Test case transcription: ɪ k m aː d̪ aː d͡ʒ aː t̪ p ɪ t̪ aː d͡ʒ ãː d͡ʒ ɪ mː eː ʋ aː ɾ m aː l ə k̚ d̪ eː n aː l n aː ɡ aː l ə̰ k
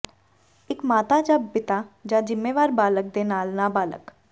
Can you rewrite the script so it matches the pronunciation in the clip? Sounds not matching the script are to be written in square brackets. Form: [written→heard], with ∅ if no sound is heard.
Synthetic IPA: ɪ k m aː [d̪→t̪] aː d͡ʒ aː [t̪→∅] p ɪ t̪ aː d͡ʒ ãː d͡ʒ ɪ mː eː ʋ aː ɾ [m→b] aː l ə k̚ d̪ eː n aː l n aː [ɡ→b] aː l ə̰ k